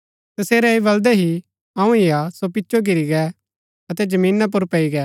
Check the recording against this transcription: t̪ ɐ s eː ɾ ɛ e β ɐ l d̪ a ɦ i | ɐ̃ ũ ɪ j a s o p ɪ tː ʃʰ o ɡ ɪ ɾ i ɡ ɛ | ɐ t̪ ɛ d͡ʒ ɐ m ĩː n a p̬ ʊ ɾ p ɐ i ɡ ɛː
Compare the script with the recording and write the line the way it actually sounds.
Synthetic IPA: t̪ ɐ s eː ɾ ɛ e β ɐ l d̪ ɛ ɦ i | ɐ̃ ũ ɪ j a s o p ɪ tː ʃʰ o ɡ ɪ ɾ i ɡ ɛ | ɐ t̪ ɛ d͡ʒ ɐ m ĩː n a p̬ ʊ ɾ p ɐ i ɡ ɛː